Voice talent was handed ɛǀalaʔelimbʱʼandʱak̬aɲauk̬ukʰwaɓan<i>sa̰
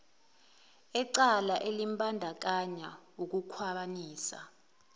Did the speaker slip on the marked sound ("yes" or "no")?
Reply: yes